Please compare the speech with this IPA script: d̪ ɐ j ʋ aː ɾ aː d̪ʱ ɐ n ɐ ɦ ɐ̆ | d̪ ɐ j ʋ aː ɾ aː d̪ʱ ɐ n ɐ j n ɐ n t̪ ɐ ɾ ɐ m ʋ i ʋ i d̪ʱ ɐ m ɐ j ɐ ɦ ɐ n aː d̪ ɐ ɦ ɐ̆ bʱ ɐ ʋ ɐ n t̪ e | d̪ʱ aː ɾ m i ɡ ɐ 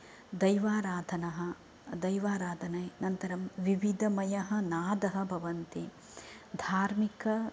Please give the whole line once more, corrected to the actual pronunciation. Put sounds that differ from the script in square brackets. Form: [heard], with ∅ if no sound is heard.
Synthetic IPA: d̪ ɐ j ʋ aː ɾ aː d̪ʱ ɐ n ɐ ɦ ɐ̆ | d̪ ɐ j ʋ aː ɾ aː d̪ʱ ɐ n ɐ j n ɐ n t̪ ɐ ɾ ɐ m ʋ i ʋ i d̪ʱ ɐ m ɐ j ɐ ɦ ɐ n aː d̪ ɐ ɦ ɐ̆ bʱ ɐ ʋ ɐ n t̪ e | d̪ʱ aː ɾ m i [k] ɐ

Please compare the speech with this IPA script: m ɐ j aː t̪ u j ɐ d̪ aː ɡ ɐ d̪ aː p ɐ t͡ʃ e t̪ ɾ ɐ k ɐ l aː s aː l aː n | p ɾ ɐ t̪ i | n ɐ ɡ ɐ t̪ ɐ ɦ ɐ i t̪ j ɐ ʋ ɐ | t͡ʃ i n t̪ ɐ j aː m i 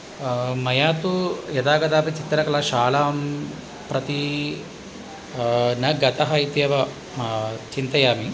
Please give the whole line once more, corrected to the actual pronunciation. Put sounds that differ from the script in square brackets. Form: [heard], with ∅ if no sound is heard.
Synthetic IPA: m ɐ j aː t̪ u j ɐ d̪ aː ɡ ɐ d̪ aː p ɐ t͡ʃ [i] t̪ ɾ ɐ k ɐ l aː [ʃ] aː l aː [m] | p ɾ ɐ t̪ i | n ɐ ɡ ɐ t̪ ɐ ɦ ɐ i t̪ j ɐ ʋ ɐ | t͡ʃ i n t̪ ɐ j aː m i

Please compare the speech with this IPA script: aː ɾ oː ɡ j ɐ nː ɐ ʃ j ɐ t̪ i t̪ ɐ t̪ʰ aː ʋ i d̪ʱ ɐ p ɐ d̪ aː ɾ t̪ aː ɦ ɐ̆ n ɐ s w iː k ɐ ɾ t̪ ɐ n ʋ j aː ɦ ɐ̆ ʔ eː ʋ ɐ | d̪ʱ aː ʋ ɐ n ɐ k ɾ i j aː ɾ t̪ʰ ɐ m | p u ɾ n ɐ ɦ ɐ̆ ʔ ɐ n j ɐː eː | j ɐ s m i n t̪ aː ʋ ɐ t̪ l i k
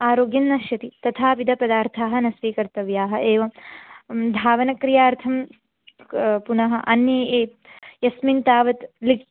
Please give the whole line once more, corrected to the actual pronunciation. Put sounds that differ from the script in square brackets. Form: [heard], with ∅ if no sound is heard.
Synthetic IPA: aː ɾ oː ɡ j ɐ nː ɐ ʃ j ɐ t̪ i t̪ ɐ t̪ʰ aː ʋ i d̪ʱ ɐ p ɐ d̪ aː ɾ [t̪ʰ] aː ɦ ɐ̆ n ɐ s [ʋ] iː k ɐ ɾ t̪ ɐ [∅] ʋ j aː ɦ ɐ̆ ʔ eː ʋ ɐ | d̪ʱ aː ʋ ɐ n ɐ k ɾ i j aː ɾ t̪ʰ ɐ m | p u [∅] n ɐ ɦ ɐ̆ ʔ ɐ n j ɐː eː | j ɐ s m i n t̪ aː ʋ ɐ t̪ l i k

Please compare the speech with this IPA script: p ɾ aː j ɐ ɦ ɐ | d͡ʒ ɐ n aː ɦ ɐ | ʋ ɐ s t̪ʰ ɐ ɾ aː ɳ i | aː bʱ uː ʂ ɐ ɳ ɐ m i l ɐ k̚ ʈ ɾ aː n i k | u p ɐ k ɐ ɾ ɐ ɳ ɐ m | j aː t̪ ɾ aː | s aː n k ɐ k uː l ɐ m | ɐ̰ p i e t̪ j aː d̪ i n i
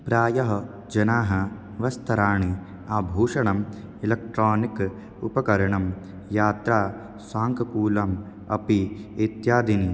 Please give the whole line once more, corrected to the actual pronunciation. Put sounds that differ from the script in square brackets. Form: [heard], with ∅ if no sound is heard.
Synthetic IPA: p ɾ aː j ɐ ɦ ɐ | d͡ʒ ɐ n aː ɦ ɐ | ʋ ɐ s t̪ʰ ɐ ɾ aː ɳ i | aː bʱ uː ʂ ɐ ɳ ɐ m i l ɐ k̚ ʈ ɾ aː n i k | u p ɐ k ɐ ɾ ɐ ɳ ɐ m | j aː t̪ ɾ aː | s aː [ŋ] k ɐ k uː l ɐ m | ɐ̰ p i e t̪ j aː d̪ i n i

